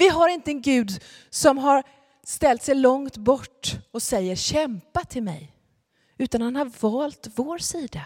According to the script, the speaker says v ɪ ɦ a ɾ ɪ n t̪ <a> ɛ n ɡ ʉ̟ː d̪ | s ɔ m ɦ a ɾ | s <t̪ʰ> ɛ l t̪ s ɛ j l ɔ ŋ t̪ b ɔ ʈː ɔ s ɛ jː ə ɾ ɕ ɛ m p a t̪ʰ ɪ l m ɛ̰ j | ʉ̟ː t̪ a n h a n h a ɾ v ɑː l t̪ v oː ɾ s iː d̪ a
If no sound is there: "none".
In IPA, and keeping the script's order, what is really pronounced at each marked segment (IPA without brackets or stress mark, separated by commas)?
ə, t̪